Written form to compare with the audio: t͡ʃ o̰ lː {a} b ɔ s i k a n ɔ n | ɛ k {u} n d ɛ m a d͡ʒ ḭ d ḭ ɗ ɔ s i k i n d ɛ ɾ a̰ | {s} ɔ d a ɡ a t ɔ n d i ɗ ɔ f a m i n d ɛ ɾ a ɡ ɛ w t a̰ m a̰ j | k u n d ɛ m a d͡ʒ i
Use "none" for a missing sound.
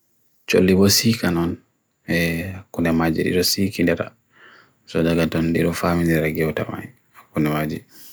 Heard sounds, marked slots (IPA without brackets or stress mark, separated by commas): i, u, s